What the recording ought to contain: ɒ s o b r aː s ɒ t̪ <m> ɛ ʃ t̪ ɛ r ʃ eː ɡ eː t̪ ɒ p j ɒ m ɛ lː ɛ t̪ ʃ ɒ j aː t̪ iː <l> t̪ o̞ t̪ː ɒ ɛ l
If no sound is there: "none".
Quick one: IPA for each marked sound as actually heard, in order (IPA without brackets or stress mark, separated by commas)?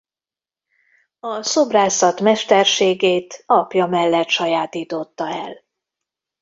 m, none